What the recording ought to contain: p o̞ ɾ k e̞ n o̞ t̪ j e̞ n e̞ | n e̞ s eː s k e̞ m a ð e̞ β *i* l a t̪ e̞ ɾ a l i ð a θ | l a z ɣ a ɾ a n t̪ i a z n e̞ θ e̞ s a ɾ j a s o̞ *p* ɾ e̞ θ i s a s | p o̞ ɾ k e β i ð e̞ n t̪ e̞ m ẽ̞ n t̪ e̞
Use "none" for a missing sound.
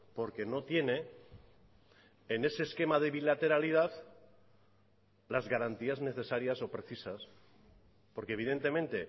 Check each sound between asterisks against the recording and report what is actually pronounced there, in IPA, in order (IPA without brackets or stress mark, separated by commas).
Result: i, p